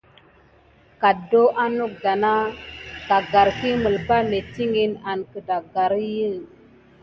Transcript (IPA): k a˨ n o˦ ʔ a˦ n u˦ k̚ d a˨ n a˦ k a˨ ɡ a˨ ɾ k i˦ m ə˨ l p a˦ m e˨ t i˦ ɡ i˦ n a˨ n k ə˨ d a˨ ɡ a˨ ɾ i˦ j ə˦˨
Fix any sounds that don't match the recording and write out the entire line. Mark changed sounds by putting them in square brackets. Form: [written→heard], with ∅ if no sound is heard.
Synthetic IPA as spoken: k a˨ [n→d] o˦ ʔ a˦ n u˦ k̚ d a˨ n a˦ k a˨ ɡ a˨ ɾ k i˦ m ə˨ l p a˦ m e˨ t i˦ [ɡ→ŋ] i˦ n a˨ n k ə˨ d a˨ ɡ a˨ ɾ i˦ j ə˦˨